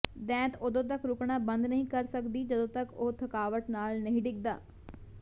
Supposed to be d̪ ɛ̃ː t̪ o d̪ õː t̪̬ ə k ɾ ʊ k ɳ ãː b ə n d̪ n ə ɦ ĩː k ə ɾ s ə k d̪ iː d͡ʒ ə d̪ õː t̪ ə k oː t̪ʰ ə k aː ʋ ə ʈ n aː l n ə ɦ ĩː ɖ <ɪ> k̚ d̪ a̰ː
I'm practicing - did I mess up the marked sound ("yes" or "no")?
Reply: no